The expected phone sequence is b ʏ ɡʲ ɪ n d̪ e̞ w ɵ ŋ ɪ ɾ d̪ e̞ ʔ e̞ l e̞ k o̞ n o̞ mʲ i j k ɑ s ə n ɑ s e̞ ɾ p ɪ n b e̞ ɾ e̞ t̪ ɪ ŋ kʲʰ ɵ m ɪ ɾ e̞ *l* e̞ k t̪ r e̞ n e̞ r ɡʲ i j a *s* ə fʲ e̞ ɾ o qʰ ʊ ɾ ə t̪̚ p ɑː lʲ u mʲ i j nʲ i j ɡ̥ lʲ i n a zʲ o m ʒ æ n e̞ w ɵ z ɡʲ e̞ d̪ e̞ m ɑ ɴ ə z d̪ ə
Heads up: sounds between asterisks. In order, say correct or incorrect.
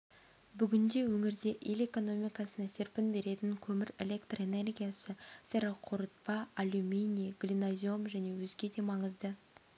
correct, correct

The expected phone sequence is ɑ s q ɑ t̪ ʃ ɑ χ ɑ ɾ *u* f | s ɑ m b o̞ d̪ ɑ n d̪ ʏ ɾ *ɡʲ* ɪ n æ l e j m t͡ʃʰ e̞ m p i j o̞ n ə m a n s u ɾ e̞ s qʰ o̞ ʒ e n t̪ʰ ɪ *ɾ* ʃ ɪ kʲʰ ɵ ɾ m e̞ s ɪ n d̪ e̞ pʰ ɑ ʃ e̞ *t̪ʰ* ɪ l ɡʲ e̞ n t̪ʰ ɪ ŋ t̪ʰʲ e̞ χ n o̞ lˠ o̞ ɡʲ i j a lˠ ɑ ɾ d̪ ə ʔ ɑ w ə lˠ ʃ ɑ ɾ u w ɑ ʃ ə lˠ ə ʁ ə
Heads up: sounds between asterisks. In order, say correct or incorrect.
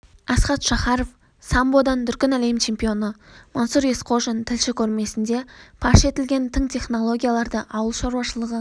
incorrect, incorrect, incorrect, incorrect

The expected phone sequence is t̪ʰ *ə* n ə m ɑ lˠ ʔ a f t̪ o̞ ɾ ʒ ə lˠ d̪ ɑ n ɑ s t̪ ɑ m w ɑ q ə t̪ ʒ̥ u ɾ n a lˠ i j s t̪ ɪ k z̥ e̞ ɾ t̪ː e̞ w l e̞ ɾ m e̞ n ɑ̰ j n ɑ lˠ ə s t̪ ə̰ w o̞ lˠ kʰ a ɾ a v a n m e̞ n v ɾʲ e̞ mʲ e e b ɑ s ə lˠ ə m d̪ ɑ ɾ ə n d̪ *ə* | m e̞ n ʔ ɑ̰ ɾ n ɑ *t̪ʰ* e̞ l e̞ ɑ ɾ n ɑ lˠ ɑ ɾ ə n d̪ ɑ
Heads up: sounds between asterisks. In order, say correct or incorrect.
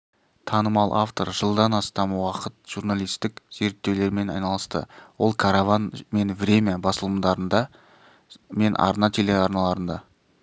incorrect, incorrect, correct

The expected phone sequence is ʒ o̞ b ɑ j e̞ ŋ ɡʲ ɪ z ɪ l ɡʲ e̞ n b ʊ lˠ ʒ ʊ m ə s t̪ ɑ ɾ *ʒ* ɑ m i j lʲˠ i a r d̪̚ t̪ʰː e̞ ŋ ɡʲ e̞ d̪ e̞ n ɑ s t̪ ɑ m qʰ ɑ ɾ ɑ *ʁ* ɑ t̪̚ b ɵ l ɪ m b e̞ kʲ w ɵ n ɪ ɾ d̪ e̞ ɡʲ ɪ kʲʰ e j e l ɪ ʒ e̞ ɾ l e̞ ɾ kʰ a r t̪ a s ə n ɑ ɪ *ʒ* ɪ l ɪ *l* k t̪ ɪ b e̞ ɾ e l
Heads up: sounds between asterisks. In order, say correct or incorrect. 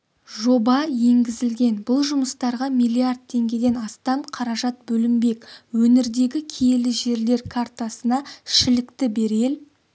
incorrect, incorrect, incorrect, incorrect

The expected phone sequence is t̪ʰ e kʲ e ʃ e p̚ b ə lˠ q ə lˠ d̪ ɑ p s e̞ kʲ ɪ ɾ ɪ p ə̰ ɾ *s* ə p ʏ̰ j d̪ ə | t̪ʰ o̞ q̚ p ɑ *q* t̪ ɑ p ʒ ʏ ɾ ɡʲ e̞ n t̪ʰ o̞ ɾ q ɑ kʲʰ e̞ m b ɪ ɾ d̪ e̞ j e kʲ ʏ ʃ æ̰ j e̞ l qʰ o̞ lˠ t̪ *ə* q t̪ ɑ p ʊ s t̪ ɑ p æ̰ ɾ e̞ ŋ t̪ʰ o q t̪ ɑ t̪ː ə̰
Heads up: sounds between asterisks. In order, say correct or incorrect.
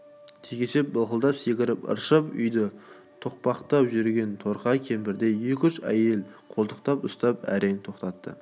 incorrect, correct, correct

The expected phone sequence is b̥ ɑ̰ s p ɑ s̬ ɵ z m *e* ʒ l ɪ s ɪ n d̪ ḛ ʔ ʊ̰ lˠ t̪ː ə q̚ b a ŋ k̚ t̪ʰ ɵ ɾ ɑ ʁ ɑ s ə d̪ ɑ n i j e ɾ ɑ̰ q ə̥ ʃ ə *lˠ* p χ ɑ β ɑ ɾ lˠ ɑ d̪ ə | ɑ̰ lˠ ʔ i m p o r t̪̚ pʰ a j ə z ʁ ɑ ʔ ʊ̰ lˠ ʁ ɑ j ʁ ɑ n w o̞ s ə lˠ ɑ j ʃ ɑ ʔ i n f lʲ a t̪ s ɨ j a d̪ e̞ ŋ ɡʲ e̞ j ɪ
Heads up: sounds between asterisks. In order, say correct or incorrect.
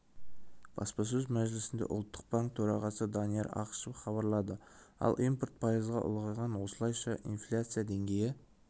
incorrect, incorrect

